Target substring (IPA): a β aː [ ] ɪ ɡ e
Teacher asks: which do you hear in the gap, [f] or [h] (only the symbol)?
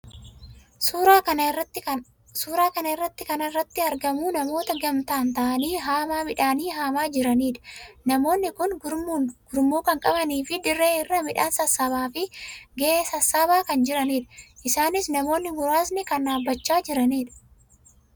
f